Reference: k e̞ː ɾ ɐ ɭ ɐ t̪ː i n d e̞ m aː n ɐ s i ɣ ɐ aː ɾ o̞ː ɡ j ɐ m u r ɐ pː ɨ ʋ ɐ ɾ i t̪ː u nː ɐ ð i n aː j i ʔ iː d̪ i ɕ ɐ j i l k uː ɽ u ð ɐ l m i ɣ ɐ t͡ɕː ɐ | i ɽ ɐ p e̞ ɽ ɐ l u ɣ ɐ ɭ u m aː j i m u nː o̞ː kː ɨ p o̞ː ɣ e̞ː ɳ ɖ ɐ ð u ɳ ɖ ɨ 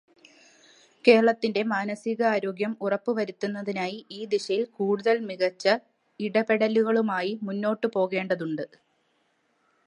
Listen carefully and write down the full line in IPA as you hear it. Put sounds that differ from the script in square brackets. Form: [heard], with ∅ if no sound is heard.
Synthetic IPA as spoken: k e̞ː ɾ ɐ ɭ ɐ t̪ː i n d e̞ m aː n ɐ s i ɣ ɐ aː ɾ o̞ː ɡ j ɐ m u r ɐ pː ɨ ʋ ɐ ɾ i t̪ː u nː ɐ ð i n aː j i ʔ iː d̪ i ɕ ɐ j i l k uː ɽ u ð ɐ l m i ɣ ɐ t͡ɕː ɐ | i ɽ ɐ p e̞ ɽ ɐ l u ɣ ɐ ɭ u m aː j i m u nː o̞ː [ʈː] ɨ p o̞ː ɣ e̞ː ɳ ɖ ɐ ð u ɳ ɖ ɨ